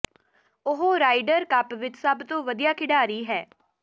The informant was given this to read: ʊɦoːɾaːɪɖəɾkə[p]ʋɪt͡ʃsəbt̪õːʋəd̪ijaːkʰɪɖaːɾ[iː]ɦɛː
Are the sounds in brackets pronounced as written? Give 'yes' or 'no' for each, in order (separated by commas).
yes, yes